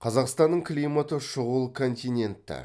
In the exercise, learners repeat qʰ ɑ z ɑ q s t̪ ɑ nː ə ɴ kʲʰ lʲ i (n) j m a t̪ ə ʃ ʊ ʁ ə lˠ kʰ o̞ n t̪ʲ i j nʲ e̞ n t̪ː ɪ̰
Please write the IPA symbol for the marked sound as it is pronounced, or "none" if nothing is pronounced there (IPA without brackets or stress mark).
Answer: none